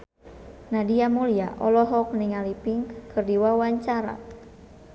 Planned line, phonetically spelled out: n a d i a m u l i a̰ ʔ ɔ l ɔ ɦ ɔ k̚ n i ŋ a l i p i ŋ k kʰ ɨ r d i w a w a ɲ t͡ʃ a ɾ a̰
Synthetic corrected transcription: n a d i a m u l i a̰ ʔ ɔ l ɔ ɦ ɔ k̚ n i ŋ a l i p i ŋ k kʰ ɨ r d i w a w a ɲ t͡ʃ a ɾ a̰